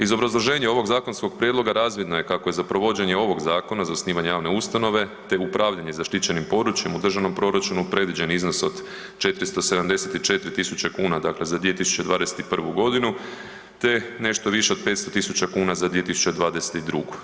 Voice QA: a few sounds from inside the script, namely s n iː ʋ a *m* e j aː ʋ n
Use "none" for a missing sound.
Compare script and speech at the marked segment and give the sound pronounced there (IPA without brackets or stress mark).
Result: ɲ